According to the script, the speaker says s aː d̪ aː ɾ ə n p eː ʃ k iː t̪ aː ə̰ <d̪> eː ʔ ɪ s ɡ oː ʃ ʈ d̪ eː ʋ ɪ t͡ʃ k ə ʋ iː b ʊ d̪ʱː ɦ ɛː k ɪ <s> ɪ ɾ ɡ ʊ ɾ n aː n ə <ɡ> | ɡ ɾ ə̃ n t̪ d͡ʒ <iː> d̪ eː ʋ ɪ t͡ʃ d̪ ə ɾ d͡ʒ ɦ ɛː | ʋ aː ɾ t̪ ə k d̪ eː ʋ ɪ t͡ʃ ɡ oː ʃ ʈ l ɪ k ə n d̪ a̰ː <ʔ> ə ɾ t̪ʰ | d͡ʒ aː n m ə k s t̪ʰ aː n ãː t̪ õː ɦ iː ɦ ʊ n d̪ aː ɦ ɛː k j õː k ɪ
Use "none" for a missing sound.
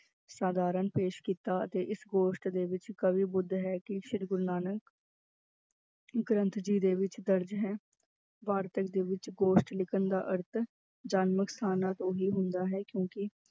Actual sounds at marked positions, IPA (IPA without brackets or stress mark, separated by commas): t̪, ʃ, k, iː, ʔ